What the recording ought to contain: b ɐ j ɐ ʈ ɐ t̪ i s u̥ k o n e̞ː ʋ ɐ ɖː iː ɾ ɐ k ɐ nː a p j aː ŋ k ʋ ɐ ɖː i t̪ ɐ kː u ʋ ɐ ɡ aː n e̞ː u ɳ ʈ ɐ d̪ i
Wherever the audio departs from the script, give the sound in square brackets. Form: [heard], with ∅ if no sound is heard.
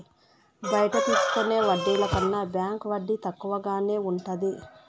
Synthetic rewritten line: b ɐ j ɐ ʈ ɐ t̪ [iː] s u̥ k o n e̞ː ʋ ɐ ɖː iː [l] ɐ k ɐ nː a [b] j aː ŋ k ʋ ɐ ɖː i t̪ ɐ kː u ʋ ɐ ɡ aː n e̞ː u ɳ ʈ ɐ d̪ i

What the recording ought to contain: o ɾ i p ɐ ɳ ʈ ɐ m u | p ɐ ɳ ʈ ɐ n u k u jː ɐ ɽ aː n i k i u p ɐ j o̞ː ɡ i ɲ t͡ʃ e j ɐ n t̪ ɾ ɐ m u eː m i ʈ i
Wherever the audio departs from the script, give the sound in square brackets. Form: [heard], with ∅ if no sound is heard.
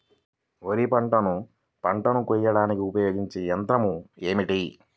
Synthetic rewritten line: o ɾ i p ɐ ɳ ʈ ɐ [n] u | p ɐ ɳ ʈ ɐ n u k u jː ɐ ɽ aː n i k i u p ɐ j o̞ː ɡ i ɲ t͡ʃ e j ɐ n t̪ ɾ ɐ m u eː m i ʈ i

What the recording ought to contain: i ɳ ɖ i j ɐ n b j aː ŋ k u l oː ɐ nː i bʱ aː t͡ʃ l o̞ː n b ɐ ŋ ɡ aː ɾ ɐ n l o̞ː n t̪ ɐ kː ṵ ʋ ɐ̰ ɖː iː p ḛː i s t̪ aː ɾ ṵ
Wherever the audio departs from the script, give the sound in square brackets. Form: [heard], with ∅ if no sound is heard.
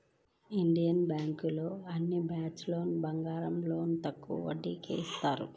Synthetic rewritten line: i ɳ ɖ i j ɐ n b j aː ŋ k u l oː ɐ nː i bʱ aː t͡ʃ l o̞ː n b ɐ ŋ ɡ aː ɾ ɐ [m] l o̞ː n t̪ ɐ kː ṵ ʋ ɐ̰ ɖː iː [k] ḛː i s t̪ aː ɾ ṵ

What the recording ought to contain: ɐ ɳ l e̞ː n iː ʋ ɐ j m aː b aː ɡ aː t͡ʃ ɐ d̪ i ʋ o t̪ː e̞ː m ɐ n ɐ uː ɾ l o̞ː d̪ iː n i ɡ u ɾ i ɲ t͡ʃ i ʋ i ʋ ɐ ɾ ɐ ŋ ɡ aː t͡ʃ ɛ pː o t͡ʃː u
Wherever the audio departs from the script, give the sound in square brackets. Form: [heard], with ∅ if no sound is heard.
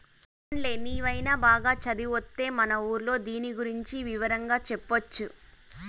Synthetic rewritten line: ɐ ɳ l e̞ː n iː ʋ ɐ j [n] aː b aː ɡ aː t͡ʃ ɐ d̪ i ʋ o t̪ː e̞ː m ɐ n ɐ uː ɾ l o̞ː d̪ iː n i ɡ u ɾ i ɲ t͡ʃ i ʋ i ʋ ɐ ɾ ɐ ŋ ɡ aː t͡ʃ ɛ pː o t͡ʃː u

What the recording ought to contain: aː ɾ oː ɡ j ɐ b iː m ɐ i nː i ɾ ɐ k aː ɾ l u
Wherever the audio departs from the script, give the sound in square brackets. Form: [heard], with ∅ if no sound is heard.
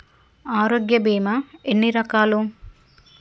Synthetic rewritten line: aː ɾ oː ɡ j ɐ b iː m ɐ [e] nː i ɾ ɐ k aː [∅] l u

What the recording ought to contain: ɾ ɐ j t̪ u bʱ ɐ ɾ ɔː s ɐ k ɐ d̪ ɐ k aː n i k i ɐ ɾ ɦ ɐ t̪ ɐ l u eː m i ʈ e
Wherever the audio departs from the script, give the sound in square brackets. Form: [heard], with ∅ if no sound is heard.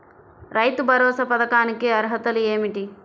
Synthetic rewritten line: ɾ ɐ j t̪ u bʱ ɐ ɾ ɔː s ɐ [p] ɐ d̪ ɐ k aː n i k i ɐ ɾ ɦ ɐ t̪ ɐ l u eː m i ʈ [i]

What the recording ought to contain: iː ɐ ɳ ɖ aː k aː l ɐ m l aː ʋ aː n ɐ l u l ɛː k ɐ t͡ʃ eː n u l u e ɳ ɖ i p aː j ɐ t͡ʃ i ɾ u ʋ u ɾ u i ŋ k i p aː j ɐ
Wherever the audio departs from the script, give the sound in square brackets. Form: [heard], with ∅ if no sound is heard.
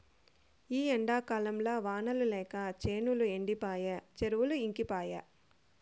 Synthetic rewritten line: iː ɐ ɳ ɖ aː k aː l ɐ m l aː ʋ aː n ɐ l u l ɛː k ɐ t͡ʃ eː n u l u e ɳ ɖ i p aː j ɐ t͡ʃ [e] ɾ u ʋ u [l] u i ŋ k i p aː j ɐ

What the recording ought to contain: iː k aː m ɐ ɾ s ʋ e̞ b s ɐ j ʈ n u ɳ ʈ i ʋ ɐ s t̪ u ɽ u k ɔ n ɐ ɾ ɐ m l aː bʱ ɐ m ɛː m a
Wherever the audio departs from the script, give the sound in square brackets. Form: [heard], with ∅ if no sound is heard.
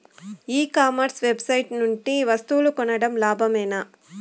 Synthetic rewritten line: iː k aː m ɐ ɾ s ʋ e̞ b s ɐ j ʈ n u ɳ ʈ i ʋ ɐ s t̪ u [l] u k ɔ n ɐ [ɽ] ɐ m l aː bʱ ɐ m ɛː [n] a

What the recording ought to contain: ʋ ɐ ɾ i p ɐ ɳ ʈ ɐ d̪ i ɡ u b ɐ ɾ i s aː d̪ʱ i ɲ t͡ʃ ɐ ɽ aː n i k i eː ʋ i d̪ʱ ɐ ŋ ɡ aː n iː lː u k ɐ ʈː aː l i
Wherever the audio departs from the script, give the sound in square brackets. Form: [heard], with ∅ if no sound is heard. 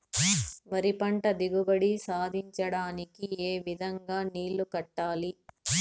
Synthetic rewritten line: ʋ ɐ ɾ i p ɐ ɳ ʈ ɐ d̪ i ɡ u b ɐ [ɽ] i s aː d̪ʱ i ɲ t͡ʃ ɐ ɽ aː n i k i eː ʋ i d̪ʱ ɐ ŋ ɡ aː n iː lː u k ɐ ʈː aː l i

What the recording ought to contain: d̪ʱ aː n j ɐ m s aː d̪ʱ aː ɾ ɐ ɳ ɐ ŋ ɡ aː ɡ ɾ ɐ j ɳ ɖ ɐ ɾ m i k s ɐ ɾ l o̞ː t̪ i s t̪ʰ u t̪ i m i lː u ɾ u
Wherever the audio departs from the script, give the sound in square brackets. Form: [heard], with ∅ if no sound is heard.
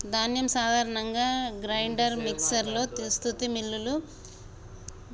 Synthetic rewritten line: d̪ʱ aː n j ɐ m s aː d̪ʱ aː ɾ ɐ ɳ ɐ ŋ ɡ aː ɡ ɾ ɐ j ɳ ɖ ɐ ɾ m i k s ɐ ɾ l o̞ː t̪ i s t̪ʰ u t̪ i m i lː u [l] u

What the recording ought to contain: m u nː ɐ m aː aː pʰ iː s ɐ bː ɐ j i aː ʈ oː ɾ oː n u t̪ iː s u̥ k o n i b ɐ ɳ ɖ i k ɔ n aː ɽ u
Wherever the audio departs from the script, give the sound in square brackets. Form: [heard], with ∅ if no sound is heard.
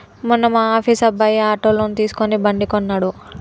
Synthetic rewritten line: m u nː ɐ m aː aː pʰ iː s ɐ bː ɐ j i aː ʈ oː [l] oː n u t̪ iː s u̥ k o n i b ɐ ɳ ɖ i k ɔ [nː] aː ɽ u

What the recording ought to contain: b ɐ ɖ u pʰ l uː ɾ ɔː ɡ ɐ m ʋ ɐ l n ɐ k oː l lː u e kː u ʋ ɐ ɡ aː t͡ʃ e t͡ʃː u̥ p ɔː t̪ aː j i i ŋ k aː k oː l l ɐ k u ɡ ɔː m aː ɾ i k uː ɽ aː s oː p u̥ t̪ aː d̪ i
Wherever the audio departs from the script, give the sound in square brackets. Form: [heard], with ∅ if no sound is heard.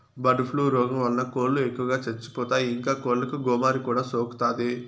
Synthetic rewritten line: b ɐ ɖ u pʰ l uː ɾ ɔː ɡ ɐ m ʋ ɐ l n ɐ k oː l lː u e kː u ʋ ɐ ɡ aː t͡ʃ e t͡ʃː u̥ p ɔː t̪ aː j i i ŋ k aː k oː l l ɐ k u ɡ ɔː m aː ɾ i k uː ɽ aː s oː [k] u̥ t̪ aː d̪ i

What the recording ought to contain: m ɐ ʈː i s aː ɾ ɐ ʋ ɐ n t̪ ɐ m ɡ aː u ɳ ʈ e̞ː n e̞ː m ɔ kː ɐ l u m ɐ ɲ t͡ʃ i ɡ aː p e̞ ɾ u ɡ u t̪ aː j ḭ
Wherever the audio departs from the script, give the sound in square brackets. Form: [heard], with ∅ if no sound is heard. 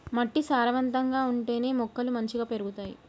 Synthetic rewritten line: m ɐ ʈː i s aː ɾ ɐ ʋ ɐ n t̪ ɐ [ŋ] ɡ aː u ɳ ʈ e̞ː n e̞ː m ɔ kː ɐ l u m ɐ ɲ t͡ʃ i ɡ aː p e̞ ɾ u ɡ u t̪ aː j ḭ

